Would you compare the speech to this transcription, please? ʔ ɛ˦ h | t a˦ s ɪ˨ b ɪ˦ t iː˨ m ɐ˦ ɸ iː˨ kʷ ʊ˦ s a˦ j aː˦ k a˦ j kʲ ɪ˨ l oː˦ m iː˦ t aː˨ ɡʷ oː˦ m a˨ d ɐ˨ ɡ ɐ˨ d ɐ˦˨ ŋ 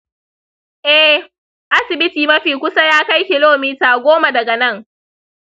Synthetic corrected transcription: ʔ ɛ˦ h | ʔ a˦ s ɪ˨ b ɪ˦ t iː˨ m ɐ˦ ɸ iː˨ kʷ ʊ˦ s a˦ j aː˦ k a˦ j kʲ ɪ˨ l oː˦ m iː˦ t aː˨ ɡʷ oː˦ m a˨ d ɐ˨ ɡ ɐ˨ n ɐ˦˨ ŋ